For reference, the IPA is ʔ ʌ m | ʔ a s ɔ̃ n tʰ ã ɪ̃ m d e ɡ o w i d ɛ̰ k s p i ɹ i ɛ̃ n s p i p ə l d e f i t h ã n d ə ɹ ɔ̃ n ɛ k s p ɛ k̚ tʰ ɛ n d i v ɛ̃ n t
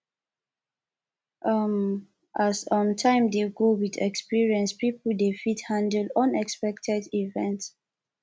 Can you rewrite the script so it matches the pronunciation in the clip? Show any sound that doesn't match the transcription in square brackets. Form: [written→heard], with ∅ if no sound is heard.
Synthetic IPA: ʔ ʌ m | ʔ a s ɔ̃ n tʰ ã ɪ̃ m d e ɡ o w i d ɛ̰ k s p i ɹ i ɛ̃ n s p i p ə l d e f i t h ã n d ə [ɹ→l] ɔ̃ n ɛ k s p ɛ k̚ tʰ ɛ [n→∅] d i v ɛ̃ n t